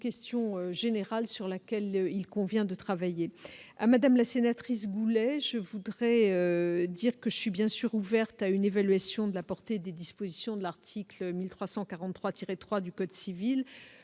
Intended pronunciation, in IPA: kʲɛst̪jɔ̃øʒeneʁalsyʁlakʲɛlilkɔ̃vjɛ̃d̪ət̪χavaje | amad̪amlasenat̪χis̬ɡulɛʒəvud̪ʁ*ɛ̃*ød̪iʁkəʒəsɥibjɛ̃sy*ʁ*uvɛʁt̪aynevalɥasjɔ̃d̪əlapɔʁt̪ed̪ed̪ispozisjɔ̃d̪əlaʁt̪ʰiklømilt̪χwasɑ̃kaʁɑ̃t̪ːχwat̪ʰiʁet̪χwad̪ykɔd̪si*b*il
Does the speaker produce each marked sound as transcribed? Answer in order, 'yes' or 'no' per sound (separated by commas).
no, yes, no